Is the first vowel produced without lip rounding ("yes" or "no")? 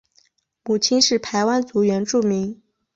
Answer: no